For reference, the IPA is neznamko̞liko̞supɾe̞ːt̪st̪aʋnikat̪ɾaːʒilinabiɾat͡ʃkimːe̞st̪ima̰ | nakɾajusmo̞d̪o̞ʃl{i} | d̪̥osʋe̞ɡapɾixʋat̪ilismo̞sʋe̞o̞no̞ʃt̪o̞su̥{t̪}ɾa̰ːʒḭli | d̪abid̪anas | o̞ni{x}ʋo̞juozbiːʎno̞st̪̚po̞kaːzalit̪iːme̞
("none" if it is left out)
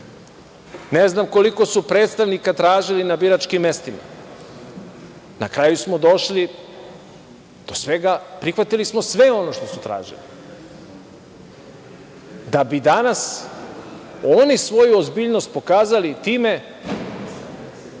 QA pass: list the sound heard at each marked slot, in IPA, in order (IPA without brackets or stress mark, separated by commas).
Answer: i, t̪, s